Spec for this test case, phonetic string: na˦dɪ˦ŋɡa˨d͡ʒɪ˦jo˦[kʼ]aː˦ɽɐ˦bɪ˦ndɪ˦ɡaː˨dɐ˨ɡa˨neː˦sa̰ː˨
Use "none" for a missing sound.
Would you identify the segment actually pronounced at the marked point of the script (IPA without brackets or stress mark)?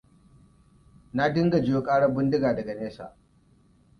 kʼ